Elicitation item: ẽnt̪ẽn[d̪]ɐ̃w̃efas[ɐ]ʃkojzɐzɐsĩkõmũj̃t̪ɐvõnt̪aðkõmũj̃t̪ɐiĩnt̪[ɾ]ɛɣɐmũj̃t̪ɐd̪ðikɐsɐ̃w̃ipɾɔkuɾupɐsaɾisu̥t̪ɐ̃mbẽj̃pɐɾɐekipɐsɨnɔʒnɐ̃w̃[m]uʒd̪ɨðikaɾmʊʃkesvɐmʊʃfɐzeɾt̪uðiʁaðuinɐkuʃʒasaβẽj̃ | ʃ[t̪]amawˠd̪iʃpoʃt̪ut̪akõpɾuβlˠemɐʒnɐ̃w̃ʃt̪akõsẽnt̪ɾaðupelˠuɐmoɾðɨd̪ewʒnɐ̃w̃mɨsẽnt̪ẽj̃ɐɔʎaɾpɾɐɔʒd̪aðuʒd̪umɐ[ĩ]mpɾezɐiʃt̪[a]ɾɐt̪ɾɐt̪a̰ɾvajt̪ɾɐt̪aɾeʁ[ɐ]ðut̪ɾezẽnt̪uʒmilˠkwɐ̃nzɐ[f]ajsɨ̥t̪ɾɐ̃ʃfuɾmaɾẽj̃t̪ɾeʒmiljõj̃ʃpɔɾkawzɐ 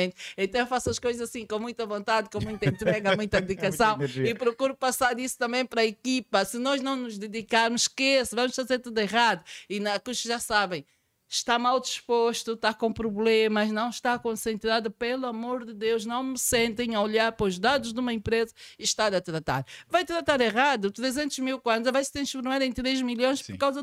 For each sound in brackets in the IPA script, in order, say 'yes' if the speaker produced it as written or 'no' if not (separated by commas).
no, yes, yes, no, yes, no, yes, no, no